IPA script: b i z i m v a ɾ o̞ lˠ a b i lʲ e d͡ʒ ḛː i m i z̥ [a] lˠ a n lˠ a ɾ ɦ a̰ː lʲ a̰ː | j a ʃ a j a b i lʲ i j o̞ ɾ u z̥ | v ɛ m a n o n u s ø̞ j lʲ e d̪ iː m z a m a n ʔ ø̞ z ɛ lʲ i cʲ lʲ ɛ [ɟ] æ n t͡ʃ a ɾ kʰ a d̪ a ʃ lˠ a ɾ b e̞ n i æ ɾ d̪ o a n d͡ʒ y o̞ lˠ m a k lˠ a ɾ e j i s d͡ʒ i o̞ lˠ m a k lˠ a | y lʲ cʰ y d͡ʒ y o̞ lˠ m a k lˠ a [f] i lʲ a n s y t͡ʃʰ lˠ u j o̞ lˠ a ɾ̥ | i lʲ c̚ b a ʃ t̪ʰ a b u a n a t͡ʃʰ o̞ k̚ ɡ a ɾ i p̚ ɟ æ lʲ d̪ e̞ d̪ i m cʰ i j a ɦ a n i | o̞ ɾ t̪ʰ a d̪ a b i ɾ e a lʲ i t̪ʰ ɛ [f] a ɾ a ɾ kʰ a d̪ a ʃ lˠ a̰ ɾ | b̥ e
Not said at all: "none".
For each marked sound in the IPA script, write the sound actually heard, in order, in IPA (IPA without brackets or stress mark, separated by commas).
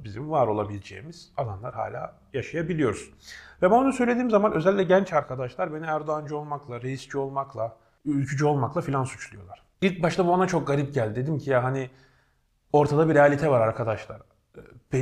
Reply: a, ɟ, f, v